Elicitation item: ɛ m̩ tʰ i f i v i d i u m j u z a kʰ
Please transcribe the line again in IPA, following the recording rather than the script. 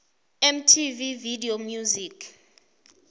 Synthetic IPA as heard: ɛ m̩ tʰ i v i v i d i o m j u z i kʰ